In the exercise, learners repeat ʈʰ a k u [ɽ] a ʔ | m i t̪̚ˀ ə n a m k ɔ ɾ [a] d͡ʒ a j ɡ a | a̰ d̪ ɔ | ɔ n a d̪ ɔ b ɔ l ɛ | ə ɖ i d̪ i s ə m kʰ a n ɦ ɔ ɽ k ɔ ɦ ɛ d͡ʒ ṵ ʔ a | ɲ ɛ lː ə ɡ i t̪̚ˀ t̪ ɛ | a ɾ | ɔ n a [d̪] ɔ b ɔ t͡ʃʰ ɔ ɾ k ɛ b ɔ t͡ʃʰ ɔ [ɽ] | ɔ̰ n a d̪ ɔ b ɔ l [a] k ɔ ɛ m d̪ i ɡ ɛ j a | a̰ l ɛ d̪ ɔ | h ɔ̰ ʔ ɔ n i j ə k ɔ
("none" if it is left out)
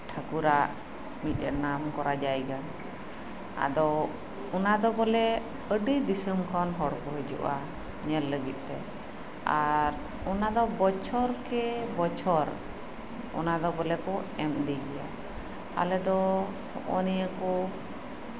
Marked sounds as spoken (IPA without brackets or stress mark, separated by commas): ɾ, a, d̪, ɾ, ɛ